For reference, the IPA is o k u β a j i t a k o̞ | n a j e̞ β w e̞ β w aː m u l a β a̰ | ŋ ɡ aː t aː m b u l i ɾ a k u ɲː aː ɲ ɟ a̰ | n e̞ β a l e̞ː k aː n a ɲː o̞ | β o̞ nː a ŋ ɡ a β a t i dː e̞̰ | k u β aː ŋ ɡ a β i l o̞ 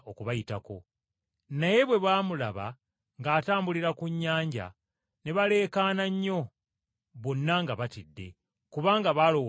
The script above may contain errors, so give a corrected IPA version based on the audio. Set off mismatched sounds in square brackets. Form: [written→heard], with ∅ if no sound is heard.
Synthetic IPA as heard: o k u β a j i t a k o̞ | n a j e̞ β w e̞ β w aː m u l a β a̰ | ŋ ɡ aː t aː m b u l i ɾ a k u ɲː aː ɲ ɟ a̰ | n e̞ β a l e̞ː k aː n a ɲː o̞ | β o̞ nː a ŋ ɡ a β a t i dː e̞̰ | k u β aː ŋ ɡ a β [i→a] l o̞